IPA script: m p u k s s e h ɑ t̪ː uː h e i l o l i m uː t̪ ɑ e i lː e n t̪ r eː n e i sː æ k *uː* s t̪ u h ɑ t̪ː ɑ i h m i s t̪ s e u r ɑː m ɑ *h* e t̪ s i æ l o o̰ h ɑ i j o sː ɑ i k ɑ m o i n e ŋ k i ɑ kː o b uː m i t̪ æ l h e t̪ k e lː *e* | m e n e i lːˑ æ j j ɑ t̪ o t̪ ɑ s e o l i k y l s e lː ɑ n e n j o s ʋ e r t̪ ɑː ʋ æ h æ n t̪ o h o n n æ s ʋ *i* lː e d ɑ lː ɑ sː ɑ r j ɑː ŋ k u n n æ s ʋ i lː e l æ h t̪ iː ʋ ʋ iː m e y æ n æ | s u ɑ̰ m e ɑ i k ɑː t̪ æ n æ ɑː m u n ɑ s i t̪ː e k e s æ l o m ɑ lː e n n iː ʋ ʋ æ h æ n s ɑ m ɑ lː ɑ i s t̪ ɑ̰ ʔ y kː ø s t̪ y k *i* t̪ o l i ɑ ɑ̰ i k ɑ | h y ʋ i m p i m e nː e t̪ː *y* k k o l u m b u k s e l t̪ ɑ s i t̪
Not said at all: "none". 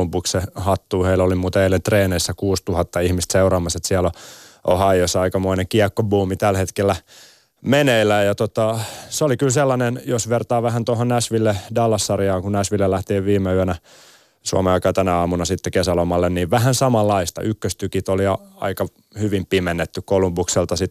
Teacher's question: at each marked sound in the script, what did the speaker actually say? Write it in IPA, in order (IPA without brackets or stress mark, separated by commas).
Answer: uː, s, æ, i, i, y